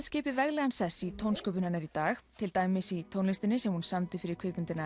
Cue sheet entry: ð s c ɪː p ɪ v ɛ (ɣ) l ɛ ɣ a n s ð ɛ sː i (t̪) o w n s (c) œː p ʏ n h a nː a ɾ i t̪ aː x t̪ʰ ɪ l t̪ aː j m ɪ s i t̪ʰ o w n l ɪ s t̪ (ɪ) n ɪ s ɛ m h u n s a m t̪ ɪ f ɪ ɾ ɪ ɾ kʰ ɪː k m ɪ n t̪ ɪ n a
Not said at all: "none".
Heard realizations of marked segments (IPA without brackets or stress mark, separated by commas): ɣ, t̪ʰ, k, ɪ